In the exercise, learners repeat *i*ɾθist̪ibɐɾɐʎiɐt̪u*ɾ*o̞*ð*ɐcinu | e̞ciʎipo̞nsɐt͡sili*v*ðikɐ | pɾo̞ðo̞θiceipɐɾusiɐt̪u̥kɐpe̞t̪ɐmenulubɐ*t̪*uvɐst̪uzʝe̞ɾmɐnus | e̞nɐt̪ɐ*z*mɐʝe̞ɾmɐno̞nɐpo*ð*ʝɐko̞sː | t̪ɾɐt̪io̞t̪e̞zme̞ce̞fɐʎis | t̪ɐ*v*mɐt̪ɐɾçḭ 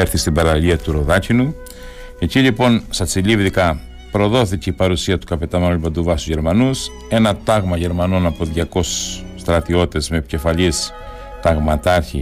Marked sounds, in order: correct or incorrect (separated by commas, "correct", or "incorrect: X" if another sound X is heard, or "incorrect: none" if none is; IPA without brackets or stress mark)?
incorrect: e, correct, correct, correct, incorrect: d̪, incorrect: ɣ, correct, incorrect: ɣ